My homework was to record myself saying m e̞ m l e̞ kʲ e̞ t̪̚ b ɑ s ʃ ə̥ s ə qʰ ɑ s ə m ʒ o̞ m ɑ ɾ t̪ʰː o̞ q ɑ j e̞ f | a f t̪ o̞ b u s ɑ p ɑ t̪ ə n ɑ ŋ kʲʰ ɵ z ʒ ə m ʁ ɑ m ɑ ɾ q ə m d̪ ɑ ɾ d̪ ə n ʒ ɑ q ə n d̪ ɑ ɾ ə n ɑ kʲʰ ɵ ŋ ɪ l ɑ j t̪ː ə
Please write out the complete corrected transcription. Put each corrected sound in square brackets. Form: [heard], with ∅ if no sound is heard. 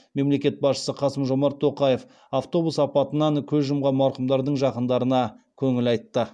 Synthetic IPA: m e̞ m l e̞ kʲ e̞ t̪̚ b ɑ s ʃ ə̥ s ə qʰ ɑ s ə m ʒ o̞ m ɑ ɾ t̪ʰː o̞ q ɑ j e̞ f | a f t̪ o̞ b u s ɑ p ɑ t̪ ə n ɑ ŋ kʲʰ ɵ z ʒ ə m ʁ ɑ m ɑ ɾ q ə m d̪ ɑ ɾ d̪ ə [ɴ] ʒ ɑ q ə n d̪ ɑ ɾ ə n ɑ kʲʰ ɵ ŋ ɪ l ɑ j t̪ː ə